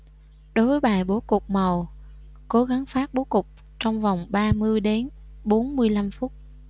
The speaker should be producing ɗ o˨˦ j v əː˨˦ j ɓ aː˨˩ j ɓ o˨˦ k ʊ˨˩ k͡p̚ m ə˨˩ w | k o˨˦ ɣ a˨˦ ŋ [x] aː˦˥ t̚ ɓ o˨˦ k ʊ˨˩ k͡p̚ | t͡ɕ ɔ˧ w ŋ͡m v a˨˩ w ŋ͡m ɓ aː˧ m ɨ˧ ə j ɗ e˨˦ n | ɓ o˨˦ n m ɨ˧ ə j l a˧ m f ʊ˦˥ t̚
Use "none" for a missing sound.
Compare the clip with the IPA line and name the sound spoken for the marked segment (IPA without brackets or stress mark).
f